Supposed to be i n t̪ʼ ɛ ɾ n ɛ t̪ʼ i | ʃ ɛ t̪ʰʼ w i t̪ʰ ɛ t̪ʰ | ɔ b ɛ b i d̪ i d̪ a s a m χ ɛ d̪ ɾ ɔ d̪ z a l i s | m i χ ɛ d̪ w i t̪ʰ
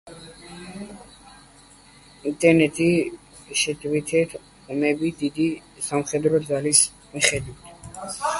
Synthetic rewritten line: i n t̪ʼ ɛ ɾ n ɛ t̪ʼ i | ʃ ɛ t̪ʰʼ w i t̪ʰ ɛ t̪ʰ | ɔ m ɛ b i d̪ i d̪ i s a m χ ɛ d̪ ɾ ɔ d̪ z a l i s | m i χ ɛ d̪ w i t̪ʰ